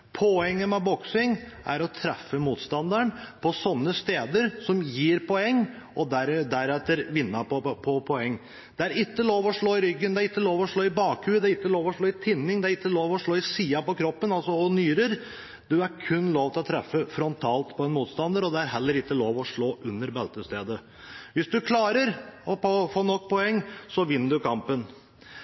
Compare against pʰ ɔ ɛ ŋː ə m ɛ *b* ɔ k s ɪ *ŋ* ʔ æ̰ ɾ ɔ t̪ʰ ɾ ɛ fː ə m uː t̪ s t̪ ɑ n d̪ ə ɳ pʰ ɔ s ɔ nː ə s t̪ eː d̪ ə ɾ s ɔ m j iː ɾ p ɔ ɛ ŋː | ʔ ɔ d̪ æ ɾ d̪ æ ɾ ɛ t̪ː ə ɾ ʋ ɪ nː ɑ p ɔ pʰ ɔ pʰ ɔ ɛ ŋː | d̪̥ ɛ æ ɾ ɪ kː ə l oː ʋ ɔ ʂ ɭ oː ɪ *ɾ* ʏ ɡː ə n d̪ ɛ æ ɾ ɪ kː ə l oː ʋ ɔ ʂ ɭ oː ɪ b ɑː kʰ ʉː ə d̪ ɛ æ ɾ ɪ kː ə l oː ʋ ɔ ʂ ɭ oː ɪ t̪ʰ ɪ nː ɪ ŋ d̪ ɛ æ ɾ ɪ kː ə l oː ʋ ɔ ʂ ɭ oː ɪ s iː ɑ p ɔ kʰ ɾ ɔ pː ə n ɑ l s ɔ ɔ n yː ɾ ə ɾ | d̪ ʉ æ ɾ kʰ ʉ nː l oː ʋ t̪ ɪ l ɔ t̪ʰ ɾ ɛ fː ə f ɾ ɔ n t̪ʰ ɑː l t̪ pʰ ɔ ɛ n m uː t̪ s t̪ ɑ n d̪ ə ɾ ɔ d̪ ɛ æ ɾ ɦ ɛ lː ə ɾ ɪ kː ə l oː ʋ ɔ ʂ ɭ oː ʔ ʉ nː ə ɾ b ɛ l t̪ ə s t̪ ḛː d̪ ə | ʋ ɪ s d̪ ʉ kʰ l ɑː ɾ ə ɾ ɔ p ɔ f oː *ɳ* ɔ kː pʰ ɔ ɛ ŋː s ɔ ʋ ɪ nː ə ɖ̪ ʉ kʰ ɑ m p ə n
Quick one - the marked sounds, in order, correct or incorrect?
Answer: correct, correct, correct, incorrect

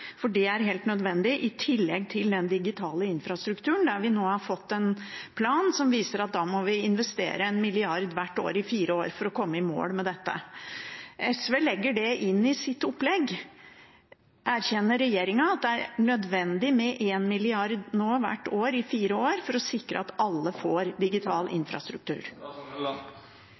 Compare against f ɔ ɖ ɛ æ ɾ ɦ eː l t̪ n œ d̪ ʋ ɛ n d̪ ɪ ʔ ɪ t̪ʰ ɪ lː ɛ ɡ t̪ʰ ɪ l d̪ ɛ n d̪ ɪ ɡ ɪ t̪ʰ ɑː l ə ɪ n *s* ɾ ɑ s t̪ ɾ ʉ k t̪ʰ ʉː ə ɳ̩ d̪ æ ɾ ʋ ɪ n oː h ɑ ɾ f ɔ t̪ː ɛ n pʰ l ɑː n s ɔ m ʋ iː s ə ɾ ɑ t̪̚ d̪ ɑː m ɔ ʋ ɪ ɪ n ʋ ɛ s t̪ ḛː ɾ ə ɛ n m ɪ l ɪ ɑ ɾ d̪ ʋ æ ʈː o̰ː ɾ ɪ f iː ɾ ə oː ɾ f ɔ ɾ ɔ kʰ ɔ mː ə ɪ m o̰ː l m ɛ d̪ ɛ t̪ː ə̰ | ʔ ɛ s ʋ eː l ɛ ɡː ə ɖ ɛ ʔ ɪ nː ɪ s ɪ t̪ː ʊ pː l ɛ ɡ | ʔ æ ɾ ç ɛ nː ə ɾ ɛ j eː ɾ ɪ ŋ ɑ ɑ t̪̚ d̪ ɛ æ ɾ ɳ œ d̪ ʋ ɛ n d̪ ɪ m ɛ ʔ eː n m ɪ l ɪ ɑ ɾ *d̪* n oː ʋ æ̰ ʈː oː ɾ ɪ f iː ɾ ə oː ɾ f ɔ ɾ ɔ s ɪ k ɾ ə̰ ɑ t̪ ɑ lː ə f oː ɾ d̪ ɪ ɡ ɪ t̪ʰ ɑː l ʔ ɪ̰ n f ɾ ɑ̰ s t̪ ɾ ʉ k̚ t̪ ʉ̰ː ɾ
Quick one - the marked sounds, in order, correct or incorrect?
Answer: incorrect, correct

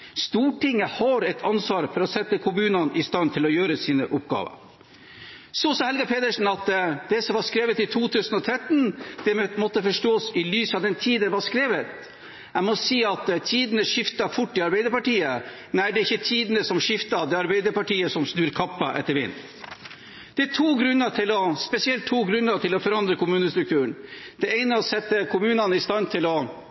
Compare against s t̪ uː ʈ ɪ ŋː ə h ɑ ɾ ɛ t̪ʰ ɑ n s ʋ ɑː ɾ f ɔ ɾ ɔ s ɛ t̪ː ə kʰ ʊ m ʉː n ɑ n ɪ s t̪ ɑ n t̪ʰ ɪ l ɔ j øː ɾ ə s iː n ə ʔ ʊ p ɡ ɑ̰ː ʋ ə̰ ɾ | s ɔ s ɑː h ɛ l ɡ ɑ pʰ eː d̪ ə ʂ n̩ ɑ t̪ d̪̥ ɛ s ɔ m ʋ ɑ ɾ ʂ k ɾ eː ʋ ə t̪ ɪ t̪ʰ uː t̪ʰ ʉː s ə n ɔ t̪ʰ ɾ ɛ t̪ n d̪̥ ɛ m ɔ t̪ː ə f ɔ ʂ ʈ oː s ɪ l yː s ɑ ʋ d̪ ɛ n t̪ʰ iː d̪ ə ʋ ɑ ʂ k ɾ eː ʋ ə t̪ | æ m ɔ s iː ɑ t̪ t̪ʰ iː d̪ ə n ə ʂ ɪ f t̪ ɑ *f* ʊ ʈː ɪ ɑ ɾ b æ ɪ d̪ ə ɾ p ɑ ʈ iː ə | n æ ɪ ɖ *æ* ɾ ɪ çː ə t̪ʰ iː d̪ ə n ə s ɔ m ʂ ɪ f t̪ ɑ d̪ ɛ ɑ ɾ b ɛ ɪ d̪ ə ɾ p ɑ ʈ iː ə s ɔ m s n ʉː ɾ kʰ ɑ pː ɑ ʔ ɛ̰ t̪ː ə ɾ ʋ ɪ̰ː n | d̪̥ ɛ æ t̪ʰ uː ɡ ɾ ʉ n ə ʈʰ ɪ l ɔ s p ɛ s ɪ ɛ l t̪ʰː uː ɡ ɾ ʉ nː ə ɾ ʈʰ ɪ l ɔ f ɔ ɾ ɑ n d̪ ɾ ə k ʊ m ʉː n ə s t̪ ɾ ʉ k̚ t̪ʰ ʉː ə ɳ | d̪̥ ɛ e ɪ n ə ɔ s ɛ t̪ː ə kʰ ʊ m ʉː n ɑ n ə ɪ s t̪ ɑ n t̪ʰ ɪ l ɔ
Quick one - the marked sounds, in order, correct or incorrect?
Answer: correct, incorrect

